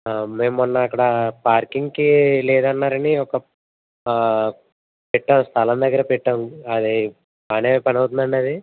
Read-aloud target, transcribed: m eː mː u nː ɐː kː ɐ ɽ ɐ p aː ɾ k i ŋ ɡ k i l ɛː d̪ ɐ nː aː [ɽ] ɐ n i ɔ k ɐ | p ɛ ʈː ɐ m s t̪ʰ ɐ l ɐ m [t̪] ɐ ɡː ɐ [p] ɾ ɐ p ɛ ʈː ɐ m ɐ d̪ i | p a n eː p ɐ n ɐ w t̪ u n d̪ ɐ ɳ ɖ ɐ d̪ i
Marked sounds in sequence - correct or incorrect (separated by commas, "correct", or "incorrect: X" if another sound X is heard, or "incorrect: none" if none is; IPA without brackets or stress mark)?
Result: incorrect: ɾ, incorrect: d̪, incorrect: none